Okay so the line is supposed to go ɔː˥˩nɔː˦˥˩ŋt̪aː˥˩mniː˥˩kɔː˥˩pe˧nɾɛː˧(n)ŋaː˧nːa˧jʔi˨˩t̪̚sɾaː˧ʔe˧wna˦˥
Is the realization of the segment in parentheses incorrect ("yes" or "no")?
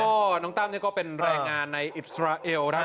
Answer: yes